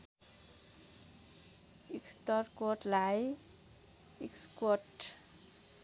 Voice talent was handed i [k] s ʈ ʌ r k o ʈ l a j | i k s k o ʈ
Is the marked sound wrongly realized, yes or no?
no